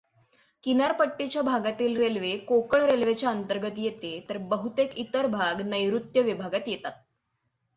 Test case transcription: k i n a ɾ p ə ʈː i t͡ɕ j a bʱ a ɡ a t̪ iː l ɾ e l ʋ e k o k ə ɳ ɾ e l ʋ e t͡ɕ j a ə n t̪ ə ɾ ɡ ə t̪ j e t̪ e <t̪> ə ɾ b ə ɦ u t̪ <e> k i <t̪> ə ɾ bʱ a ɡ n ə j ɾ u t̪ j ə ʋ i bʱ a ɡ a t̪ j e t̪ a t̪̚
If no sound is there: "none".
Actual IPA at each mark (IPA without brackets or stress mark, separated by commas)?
t̪, e, t̪